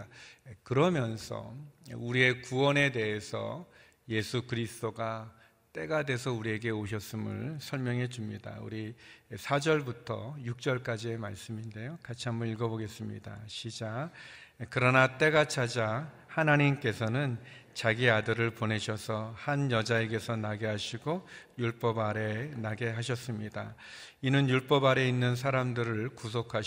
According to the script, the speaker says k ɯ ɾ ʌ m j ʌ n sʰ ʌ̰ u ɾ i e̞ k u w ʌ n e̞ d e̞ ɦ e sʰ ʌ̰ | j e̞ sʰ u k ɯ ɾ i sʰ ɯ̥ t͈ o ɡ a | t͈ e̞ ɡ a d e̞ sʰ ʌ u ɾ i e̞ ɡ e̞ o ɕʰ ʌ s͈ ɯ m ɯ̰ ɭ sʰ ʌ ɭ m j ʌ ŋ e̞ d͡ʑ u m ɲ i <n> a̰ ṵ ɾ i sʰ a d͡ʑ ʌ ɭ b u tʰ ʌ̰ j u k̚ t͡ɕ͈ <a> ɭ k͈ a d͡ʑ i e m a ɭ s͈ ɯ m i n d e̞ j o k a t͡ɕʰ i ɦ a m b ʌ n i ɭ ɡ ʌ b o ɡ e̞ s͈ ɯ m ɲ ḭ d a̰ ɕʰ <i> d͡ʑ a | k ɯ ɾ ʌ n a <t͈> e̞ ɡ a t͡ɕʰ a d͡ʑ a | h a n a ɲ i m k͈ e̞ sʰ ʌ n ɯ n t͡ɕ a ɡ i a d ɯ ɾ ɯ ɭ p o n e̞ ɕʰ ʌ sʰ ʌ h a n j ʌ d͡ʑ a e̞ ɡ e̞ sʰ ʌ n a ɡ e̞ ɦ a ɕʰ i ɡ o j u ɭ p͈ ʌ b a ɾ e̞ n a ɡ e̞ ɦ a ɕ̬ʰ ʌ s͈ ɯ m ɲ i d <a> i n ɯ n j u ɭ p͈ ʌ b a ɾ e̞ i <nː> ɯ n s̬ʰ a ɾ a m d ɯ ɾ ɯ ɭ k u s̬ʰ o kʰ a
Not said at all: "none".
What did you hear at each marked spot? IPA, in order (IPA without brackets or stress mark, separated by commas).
d, ʌ, i, t͈, a, nː